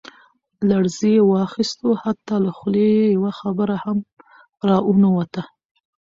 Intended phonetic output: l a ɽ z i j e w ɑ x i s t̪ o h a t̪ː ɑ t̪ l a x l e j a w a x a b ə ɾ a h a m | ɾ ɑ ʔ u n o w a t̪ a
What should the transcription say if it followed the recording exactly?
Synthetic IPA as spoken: l a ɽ z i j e w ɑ x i s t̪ o h a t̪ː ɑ l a x l e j a w a x a b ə ɾ a h a m | ɾ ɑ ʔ u n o w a t̪ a